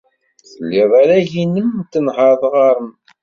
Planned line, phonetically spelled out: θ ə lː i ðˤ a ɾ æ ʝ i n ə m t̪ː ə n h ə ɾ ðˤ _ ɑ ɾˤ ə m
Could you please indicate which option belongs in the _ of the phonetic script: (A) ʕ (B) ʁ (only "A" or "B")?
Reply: B